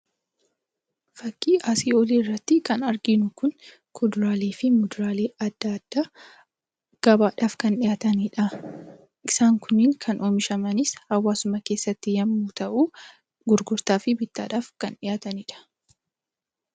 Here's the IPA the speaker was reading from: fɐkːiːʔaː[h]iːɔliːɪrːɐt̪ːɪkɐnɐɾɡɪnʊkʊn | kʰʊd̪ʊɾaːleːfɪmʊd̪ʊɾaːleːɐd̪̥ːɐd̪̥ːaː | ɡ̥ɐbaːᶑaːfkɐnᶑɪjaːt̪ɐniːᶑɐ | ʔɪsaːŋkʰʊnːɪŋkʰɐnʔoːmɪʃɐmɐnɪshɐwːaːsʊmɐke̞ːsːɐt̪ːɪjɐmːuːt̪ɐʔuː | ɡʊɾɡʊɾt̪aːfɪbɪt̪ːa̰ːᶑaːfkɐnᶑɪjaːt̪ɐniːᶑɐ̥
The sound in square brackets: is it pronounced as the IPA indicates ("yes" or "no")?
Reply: no